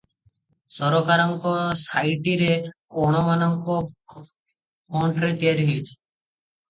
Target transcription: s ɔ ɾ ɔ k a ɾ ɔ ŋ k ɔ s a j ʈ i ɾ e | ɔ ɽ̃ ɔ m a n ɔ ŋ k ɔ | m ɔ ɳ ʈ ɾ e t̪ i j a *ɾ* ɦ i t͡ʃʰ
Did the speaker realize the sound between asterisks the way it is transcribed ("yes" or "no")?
yes